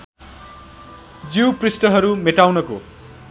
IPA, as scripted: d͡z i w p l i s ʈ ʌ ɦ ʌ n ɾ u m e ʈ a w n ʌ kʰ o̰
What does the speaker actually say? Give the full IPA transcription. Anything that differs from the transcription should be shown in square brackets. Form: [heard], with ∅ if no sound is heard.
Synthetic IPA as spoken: d͡z i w p [r] i s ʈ ʌ ɦ ʌ [∅] ɾ u m e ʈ a w n ʌ [k] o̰